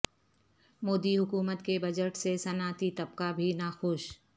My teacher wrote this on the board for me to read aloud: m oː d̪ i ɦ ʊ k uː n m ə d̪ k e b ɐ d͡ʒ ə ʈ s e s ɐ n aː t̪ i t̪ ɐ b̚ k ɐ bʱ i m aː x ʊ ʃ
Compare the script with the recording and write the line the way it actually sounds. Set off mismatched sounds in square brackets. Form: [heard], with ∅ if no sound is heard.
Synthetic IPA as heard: m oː d̪ i ɦ ʊ k uː [∅] m ə [t̪] k e b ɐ d͡ʒ ə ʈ s e s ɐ n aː t̪ i t̪ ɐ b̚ k [a] bʱ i [n] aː x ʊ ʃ